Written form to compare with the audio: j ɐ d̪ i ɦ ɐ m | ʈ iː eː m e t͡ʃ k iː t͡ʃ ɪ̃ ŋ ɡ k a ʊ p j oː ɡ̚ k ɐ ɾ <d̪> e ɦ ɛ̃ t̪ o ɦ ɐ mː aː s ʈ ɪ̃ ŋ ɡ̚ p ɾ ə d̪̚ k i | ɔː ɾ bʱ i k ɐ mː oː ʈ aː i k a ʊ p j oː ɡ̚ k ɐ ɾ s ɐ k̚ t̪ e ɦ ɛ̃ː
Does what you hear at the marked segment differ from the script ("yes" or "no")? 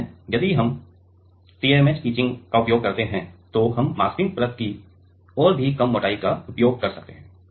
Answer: yes